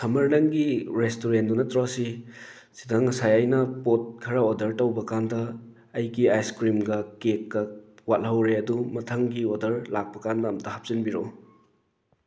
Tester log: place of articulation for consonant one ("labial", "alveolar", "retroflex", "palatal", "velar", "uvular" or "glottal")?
alveolar